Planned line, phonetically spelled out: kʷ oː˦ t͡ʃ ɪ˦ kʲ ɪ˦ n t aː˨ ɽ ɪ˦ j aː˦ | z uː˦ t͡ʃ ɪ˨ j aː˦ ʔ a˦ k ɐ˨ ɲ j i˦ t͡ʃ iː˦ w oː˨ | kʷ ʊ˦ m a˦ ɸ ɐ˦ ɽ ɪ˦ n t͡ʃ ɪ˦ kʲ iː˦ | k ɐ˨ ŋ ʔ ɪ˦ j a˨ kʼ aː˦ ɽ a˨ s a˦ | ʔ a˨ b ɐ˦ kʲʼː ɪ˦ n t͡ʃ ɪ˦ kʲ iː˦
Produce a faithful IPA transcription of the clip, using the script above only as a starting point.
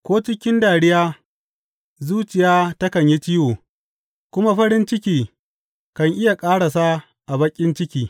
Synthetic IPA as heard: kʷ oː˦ t͡ʃ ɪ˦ kʲ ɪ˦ n d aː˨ ɽ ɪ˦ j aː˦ | z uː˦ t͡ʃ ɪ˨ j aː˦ t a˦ k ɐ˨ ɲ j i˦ t͡ʃ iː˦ w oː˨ | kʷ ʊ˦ m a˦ ɸ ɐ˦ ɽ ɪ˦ n t͡ʃ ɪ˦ kʲ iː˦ | k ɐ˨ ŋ ʔ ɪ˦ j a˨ kʼ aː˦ ɽ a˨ s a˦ | ʔ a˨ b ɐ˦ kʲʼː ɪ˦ n t͡ʃ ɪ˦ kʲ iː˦